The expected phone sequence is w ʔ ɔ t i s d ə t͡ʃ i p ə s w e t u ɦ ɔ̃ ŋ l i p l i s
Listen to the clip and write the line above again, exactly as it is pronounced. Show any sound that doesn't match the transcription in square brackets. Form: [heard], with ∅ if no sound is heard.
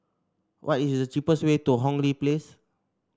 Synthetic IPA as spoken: w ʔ ɔ t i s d ə t͡ʃ i p ə s w e t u ɦ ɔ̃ ŋ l i p l [e] s

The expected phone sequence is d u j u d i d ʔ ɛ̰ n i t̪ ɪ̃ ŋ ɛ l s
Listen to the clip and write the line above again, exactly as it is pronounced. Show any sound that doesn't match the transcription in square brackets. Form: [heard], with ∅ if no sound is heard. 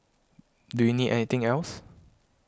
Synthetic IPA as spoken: d u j u [n] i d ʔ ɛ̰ n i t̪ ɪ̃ ŋ ɛ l s

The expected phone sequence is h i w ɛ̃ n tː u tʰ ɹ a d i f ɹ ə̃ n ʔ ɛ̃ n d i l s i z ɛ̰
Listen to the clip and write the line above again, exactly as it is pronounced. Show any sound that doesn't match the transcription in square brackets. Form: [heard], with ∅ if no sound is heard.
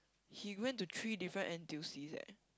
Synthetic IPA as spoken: h i w ɛ̃ n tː u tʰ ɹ [i] d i f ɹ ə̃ n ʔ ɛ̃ n [t] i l s i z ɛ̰

